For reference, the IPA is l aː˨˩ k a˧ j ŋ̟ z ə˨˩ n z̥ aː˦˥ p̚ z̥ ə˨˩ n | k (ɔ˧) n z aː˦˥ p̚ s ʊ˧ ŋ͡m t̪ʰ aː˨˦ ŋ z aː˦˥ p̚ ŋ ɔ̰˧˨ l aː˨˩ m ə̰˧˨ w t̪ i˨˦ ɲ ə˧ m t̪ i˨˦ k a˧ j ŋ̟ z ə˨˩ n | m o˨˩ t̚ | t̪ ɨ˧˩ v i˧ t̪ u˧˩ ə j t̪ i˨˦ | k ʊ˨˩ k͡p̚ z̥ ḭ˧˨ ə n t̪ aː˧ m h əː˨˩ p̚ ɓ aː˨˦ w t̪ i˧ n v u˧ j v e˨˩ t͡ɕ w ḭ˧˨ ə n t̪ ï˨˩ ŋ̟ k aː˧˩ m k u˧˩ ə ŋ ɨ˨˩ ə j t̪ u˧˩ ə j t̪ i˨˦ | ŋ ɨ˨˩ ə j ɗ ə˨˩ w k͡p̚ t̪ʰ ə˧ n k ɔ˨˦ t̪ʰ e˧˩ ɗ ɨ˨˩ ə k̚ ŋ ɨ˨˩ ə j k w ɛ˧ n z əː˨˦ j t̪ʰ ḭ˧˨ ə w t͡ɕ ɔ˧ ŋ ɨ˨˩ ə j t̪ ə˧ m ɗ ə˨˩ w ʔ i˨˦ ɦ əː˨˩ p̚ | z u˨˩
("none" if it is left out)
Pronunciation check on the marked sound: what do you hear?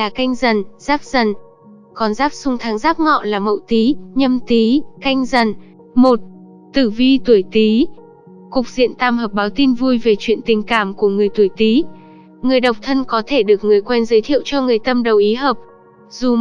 ɔ˨˩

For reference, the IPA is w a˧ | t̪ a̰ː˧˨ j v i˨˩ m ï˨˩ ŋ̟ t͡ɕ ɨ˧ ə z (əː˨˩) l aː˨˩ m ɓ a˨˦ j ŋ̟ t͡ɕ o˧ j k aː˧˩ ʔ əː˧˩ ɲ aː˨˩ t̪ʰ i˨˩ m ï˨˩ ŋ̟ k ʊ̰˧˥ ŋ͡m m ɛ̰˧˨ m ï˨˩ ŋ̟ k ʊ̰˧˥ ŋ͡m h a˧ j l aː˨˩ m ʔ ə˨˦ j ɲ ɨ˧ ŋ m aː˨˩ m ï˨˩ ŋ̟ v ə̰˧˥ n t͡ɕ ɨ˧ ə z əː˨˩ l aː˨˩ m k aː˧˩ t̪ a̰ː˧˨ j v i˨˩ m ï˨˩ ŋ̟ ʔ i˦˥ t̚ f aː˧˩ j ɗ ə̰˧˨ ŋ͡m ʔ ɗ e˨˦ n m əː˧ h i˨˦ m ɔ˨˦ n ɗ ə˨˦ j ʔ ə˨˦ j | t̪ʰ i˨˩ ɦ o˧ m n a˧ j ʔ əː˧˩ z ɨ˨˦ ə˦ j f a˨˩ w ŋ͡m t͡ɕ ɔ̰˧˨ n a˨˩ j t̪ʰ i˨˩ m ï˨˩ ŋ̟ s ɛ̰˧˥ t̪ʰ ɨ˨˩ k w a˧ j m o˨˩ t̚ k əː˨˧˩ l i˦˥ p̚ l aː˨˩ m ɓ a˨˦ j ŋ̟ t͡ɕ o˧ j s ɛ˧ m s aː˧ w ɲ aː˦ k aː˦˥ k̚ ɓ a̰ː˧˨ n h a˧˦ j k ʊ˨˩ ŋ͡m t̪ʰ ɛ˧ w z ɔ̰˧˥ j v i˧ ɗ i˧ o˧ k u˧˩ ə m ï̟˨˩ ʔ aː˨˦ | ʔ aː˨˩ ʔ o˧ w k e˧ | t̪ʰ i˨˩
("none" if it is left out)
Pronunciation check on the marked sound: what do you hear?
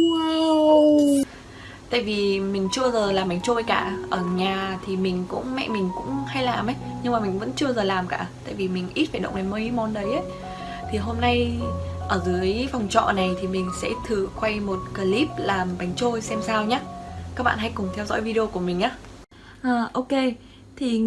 əː˨˩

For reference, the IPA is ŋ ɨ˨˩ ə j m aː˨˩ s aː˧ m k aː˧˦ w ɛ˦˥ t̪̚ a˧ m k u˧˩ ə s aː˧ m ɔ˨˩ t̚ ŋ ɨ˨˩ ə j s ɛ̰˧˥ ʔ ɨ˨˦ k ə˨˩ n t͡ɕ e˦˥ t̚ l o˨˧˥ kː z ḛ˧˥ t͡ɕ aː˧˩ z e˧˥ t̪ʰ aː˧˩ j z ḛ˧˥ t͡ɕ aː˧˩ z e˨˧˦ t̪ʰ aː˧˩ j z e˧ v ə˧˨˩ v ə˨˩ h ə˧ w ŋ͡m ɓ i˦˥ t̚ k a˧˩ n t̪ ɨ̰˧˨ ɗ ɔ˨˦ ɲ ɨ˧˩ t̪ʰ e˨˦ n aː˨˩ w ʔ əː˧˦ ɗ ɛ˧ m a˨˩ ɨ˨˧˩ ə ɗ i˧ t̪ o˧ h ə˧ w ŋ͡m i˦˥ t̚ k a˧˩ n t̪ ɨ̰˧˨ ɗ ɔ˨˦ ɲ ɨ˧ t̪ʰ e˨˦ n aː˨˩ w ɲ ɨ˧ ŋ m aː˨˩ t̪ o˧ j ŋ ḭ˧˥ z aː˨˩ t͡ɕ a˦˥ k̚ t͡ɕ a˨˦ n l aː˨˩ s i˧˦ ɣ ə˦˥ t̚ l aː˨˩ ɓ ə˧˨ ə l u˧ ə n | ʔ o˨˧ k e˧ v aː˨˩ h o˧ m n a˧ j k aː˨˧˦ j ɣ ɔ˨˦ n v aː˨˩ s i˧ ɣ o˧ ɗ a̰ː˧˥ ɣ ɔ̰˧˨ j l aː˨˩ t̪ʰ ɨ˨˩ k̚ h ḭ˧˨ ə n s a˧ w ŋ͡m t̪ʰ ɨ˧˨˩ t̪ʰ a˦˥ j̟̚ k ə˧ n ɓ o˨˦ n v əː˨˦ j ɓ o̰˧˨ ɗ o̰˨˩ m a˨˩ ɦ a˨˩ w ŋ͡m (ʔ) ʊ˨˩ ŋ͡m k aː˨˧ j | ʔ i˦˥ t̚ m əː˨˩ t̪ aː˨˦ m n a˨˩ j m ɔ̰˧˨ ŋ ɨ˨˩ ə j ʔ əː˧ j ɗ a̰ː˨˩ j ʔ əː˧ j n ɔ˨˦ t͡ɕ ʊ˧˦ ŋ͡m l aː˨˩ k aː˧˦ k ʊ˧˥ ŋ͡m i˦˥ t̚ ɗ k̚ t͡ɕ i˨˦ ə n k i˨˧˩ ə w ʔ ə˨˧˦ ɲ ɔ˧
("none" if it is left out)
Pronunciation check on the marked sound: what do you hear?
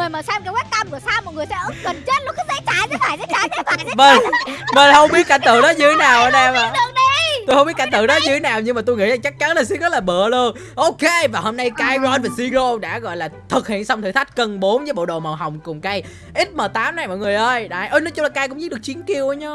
k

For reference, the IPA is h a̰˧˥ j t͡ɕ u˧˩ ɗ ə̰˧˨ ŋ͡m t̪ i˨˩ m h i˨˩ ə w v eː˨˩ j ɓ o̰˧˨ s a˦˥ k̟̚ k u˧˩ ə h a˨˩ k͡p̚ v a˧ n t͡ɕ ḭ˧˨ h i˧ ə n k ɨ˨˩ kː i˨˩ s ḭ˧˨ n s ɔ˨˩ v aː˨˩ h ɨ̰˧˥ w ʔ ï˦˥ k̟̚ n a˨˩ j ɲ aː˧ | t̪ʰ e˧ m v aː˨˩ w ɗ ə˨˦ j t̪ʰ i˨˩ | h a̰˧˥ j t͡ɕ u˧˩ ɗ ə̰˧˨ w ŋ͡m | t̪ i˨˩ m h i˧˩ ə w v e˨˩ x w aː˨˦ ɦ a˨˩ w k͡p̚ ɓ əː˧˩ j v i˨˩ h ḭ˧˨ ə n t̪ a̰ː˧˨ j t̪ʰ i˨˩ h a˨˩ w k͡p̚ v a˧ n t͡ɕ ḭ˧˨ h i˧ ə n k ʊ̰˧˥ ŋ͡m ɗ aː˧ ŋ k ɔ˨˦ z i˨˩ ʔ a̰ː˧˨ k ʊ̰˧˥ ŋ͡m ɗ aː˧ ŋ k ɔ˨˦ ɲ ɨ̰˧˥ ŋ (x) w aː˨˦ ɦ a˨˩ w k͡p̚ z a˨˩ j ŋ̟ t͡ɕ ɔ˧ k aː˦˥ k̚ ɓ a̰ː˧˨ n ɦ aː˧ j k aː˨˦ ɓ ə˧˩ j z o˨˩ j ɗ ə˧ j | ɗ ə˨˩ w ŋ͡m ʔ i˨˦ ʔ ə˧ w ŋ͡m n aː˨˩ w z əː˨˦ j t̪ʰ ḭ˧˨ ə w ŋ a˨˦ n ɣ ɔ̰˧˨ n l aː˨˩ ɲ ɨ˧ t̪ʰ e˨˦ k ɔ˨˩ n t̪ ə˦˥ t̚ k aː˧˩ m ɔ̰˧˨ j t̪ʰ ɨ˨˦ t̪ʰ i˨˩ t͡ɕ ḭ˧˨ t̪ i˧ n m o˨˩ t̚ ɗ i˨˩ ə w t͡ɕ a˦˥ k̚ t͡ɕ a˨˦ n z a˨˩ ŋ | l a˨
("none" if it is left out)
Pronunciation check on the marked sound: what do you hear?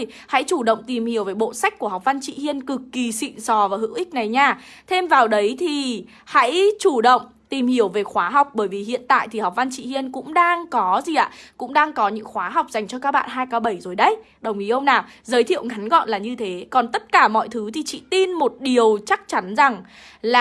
x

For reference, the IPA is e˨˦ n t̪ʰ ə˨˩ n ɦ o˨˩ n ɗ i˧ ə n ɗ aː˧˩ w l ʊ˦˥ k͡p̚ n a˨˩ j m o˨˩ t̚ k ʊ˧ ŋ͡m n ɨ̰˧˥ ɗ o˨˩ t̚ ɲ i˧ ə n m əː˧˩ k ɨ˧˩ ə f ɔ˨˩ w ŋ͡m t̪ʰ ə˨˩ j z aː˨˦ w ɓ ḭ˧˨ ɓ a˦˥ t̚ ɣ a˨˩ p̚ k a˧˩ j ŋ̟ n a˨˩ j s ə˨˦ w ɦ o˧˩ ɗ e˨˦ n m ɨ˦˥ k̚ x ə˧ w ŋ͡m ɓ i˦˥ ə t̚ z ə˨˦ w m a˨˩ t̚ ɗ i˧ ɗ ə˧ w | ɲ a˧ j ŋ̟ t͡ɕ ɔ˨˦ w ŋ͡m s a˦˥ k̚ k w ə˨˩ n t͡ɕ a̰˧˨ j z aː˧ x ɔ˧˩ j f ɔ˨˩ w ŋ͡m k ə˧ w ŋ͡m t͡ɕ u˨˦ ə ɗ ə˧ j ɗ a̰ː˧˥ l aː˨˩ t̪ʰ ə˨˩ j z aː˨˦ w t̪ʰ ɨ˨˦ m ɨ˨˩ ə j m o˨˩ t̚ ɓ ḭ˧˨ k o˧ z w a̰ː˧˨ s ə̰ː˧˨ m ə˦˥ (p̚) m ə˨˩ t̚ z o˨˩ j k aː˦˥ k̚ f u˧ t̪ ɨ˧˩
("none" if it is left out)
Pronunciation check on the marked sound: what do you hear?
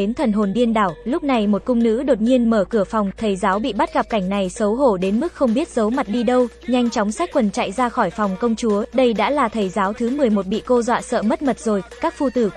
t̚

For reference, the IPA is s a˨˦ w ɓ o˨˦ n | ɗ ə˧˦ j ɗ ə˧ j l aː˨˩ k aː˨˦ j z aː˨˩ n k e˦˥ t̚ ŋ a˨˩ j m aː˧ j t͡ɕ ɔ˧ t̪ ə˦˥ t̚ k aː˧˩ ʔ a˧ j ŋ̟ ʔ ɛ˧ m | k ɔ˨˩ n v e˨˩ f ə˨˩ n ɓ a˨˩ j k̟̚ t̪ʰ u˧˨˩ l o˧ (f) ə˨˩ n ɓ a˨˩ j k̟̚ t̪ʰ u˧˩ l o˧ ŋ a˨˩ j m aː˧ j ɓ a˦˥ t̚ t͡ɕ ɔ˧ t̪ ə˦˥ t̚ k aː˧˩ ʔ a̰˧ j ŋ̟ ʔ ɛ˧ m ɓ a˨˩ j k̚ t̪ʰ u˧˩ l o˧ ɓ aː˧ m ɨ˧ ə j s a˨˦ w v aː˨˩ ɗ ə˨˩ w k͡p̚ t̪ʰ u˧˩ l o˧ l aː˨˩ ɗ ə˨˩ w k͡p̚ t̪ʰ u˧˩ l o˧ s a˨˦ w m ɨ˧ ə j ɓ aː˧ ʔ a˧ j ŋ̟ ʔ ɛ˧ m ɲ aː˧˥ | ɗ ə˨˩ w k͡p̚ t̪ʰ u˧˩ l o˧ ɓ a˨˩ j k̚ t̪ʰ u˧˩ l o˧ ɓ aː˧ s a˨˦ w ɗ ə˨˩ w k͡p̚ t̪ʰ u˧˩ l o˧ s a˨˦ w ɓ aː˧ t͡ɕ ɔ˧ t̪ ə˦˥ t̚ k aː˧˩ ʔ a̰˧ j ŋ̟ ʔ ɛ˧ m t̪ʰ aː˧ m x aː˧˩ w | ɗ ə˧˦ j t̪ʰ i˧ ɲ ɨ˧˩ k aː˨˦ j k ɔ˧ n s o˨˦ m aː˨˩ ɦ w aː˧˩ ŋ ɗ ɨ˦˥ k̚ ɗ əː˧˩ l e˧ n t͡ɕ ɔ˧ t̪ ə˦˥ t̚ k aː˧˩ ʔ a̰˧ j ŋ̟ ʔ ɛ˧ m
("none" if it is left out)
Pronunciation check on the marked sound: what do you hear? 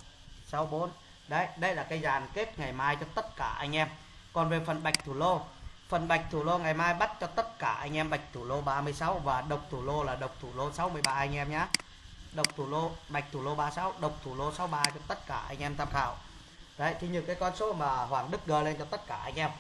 f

